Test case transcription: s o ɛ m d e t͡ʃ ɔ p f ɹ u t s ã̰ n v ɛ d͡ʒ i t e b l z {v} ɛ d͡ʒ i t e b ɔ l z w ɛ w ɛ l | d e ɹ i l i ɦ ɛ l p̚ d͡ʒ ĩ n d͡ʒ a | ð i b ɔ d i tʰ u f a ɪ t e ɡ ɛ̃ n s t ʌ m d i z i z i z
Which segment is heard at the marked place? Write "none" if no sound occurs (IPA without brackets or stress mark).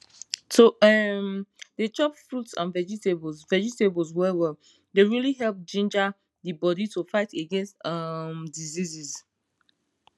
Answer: v